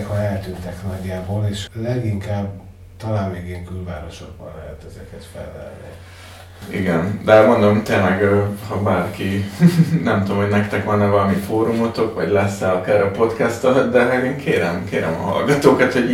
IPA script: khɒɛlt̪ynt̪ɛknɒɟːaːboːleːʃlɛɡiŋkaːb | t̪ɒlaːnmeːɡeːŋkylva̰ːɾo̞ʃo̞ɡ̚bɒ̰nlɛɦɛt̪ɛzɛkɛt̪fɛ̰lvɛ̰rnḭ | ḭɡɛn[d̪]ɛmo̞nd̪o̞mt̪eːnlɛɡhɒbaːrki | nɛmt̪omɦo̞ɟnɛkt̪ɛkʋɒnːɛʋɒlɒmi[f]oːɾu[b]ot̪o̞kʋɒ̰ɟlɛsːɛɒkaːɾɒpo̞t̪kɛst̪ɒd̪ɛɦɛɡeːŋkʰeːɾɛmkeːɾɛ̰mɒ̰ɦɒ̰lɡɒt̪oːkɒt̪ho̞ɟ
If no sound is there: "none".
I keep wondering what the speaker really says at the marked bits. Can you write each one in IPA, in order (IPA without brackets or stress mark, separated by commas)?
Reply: d̪, f, m